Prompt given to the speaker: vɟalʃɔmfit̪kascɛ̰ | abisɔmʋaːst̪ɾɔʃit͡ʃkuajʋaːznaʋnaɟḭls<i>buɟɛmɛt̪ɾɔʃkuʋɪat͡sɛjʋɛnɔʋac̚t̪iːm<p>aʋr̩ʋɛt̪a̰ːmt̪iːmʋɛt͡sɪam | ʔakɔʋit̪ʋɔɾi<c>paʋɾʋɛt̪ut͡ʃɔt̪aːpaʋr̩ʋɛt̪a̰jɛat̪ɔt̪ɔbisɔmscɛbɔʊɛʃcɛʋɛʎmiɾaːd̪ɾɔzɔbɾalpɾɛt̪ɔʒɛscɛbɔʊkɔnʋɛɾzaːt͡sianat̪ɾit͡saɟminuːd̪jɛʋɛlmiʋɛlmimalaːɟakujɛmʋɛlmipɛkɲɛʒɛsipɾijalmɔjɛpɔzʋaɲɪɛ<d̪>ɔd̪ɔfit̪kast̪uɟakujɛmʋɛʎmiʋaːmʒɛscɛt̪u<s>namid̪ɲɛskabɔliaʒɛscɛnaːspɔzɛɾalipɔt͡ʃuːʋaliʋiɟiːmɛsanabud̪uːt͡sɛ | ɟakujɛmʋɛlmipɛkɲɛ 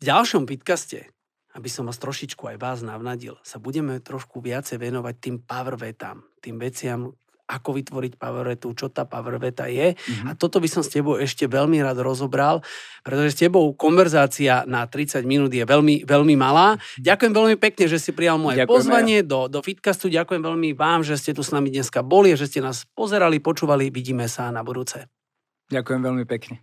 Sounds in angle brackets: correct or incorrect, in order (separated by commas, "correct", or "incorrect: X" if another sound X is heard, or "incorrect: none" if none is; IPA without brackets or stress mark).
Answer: incorrect: a, correct, correct, correct, correct